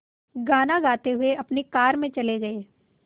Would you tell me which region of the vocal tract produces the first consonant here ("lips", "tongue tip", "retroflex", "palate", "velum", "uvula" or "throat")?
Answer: velum